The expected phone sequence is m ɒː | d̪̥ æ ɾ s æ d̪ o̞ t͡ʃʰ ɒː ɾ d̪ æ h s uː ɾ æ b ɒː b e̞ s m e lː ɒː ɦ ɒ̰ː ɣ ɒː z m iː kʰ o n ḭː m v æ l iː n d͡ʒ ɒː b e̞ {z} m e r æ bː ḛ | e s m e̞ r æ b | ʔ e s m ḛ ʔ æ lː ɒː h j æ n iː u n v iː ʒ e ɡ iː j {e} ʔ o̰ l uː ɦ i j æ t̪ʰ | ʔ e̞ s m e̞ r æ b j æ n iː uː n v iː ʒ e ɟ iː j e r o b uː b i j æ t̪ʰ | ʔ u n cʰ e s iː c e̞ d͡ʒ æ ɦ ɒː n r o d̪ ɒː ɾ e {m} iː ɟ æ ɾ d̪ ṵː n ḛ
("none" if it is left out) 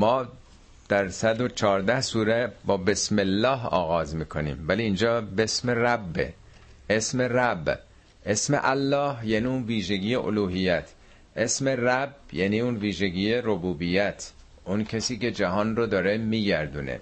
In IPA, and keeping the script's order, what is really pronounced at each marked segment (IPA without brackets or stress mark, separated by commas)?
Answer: s, e, m